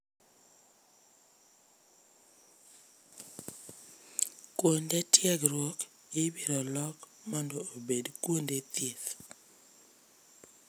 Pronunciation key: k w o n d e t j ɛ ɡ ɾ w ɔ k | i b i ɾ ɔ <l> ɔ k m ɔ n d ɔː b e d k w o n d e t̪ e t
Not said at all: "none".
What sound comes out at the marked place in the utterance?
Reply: l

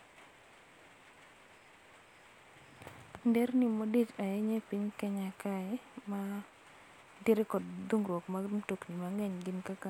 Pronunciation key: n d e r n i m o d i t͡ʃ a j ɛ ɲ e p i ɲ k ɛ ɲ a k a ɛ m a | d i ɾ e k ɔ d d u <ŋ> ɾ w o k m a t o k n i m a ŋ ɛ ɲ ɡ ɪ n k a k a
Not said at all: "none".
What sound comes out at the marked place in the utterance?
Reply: ŋ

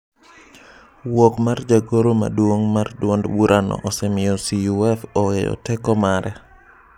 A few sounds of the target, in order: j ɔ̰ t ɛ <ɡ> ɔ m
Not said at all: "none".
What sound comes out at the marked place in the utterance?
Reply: k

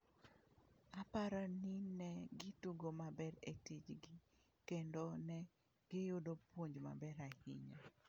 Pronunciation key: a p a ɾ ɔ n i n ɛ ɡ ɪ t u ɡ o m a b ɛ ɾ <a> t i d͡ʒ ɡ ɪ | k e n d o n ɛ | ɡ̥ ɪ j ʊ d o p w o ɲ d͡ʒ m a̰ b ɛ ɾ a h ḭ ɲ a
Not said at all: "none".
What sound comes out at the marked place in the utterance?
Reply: e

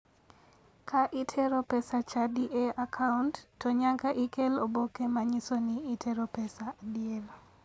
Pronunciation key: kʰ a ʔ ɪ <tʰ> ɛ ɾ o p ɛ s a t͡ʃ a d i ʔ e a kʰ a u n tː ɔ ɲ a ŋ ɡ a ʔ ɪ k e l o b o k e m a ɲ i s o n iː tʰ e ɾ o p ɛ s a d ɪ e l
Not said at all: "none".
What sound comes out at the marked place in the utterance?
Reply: tʰ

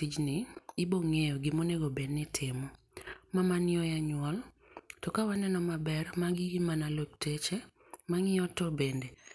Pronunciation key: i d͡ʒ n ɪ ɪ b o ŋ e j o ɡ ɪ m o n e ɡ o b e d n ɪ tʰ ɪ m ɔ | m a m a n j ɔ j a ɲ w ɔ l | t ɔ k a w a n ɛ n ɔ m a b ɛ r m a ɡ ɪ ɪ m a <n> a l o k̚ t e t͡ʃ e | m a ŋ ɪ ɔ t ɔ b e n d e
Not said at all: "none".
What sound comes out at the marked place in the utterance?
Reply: n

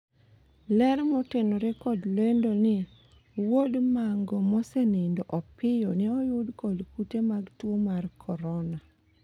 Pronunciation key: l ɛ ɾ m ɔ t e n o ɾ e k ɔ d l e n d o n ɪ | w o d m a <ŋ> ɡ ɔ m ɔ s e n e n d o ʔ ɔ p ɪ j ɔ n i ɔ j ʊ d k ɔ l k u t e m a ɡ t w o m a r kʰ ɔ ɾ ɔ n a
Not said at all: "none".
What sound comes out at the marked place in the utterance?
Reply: ŋ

